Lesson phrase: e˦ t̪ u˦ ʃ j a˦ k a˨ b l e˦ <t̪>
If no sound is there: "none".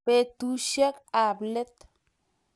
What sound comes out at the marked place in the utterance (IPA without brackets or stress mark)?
t̪